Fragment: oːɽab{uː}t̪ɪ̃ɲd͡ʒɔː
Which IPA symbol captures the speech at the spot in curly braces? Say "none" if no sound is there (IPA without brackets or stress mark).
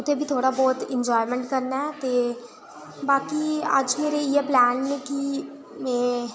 ɔː